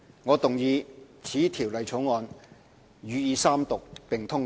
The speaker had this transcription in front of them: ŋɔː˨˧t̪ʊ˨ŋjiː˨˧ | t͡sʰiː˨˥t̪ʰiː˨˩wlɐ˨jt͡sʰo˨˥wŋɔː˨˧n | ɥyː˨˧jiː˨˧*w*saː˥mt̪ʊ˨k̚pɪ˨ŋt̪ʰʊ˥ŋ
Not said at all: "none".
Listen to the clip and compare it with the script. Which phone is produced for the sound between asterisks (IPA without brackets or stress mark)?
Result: none